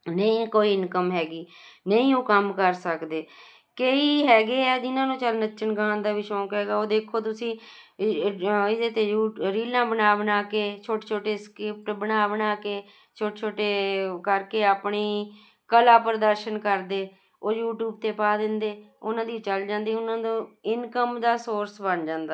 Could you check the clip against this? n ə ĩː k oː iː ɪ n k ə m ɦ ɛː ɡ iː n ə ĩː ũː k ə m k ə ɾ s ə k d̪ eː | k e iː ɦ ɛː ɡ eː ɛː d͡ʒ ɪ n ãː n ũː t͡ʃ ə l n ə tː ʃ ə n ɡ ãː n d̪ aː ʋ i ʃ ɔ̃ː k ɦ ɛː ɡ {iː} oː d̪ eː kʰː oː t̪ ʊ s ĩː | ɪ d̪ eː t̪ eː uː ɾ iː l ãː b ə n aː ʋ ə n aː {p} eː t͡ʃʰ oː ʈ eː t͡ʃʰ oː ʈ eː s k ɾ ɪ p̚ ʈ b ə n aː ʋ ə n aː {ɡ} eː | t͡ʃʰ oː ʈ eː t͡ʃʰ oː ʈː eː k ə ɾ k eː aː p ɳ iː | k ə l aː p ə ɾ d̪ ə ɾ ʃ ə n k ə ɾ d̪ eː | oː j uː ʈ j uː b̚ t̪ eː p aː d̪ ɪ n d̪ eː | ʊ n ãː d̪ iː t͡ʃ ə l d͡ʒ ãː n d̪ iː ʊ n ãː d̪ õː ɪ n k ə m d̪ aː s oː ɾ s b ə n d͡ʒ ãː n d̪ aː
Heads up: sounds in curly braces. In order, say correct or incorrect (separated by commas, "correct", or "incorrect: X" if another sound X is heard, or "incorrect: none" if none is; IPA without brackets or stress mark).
incorrect: aː, incorrect: k, incorrect: k